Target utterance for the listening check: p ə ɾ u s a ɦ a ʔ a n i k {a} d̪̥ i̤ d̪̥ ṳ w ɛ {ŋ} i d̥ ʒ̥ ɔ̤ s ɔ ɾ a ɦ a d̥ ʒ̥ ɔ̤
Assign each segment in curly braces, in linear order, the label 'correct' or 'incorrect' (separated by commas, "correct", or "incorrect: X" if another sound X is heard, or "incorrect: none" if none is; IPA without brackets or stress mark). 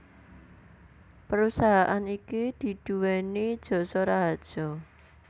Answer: incorrect: i, incorrect: n